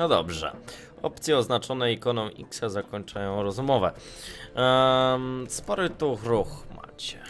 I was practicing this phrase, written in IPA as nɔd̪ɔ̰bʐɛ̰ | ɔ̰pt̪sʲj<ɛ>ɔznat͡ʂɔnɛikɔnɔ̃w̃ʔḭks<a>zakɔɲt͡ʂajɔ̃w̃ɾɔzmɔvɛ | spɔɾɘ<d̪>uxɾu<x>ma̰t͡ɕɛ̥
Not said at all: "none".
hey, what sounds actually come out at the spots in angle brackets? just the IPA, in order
ɛ, a, t̪, x

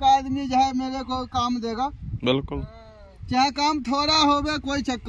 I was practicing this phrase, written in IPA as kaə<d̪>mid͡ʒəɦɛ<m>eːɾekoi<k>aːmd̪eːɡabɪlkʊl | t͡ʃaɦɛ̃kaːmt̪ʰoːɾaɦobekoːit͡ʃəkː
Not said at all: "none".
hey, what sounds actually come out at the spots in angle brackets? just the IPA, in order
d̪, m, k

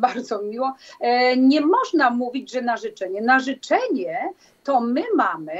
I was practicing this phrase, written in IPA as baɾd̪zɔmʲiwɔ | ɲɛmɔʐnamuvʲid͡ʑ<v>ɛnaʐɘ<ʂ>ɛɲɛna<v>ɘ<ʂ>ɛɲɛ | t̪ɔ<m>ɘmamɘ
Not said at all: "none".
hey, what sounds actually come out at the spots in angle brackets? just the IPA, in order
ʐ, t͡ʂ, ʐ, t͡ʂ, m

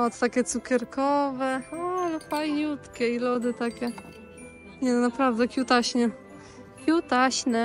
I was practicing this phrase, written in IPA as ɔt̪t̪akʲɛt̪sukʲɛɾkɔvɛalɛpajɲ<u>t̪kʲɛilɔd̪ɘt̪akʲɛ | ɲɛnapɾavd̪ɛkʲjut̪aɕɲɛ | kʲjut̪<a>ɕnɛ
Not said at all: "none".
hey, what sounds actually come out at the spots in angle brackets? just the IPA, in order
u, a

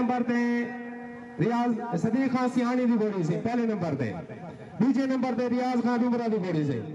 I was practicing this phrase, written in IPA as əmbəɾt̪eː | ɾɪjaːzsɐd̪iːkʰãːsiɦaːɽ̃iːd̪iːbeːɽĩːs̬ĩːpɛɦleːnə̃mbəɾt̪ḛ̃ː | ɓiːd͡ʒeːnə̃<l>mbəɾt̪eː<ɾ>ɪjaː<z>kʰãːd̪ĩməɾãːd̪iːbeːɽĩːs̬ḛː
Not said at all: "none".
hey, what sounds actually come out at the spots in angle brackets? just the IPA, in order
none, ɾ, z

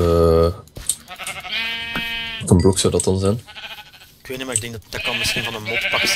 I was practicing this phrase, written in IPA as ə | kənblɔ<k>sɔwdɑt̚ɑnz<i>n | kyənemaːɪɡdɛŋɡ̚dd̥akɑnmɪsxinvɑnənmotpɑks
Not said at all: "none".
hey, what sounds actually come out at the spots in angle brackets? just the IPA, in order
k, ɛ

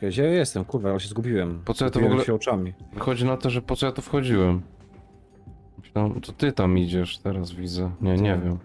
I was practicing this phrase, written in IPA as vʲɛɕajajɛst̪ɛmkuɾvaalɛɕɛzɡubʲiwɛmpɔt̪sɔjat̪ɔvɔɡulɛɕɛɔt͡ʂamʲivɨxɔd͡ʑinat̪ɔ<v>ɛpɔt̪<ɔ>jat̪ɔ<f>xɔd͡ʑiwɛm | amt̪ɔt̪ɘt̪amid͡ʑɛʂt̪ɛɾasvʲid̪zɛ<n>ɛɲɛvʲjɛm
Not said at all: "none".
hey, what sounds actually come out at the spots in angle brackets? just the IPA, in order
ʐ, ɔ, f, ɲ

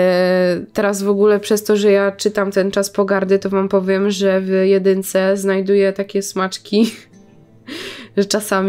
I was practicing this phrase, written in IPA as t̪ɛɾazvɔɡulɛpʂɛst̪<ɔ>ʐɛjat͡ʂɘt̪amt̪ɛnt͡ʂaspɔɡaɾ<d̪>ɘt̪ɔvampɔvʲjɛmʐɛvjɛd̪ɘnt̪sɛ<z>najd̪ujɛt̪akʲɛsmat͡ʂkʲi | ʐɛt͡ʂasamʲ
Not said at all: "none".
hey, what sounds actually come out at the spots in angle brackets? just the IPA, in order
ɔ, d̪, z

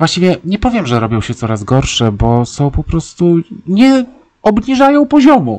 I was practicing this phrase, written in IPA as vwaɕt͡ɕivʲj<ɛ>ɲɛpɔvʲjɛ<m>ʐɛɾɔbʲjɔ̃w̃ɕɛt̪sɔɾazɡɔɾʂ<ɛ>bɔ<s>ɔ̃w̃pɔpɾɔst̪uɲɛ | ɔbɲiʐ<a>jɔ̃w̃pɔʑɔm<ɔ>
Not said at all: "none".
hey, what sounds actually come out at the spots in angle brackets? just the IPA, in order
ɛ, m, ɛ, s, a, u

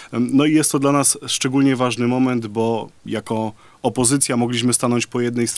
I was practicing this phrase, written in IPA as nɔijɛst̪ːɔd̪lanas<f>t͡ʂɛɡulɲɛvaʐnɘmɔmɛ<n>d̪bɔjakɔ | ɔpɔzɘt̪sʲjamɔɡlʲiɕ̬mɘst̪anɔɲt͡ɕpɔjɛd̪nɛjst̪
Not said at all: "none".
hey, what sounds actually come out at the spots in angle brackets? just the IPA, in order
ʂ, n

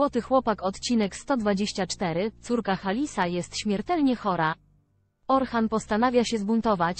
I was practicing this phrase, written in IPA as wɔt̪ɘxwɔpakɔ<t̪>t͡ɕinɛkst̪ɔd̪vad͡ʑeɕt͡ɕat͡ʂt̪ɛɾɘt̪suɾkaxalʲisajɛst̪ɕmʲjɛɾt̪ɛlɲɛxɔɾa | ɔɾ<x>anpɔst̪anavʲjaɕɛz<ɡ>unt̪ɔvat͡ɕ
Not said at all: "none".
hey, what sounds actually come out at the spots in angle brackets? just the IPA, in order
t̪, x, b

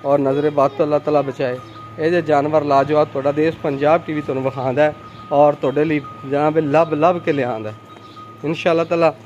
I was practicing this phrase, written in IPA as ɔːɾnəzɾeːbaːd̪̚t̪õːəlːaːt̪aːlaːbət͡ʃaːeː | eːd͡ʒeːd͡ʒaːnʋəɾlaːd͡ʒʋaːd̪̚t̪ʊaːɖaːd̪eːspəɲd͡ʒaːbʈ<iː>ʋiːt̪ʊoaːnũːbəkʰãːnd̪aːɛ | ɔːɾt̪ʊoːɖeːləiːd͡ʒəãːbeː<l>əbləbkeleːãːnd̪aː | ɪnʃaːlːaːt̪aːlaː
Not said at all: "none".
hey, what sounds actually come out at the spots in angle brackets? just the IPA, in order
iː, l

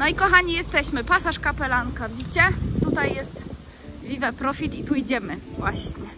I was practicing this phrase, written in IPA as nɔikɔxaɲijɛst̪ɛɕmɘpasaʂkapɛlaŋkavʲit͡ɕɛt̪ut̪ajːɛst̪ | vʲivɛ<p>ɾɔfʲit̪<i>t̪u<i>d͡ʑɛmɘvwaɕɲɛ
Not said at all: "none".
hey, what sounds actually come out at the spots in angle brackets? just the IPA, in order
p, i, i

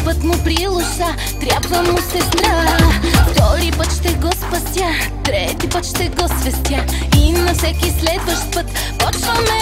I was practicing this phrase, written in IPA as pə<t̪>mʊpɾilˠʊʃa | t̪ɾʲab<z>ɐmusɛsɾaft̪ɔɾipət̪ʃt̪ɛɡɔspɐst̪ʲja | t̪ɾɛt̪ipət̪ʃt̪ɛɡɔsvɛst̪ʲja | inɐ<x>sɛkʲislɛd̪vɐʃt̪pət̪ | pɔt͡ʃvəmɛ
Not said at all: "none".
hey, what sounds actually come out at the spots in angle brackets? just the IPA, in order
t̪, v, f

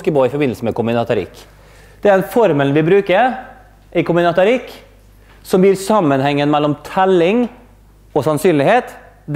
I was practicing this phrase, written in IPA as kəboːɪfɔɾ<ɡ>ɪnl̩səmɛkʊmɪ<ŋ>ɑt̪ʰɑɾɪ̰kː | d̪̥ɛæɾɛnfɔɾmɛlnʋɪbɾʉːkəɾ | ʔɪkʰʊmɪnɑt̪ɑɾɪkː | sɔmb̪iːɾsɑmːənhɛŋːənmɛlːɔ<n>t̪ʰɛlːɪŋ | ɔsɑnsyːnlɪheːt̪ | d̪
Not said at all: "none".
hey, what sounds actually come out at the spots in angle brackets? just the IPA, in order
b, n, m

